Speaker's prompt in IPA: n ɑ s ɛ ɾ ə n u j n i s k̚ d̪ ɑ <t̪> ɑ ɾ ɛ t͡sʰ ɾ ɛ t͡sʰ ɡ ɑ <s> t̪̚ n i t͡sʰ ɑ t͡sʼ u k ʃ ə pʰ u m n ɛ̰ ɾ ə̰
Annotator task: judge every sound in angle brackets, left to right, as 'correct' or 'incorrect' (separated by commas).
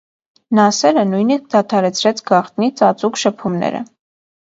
incorrect, incorrect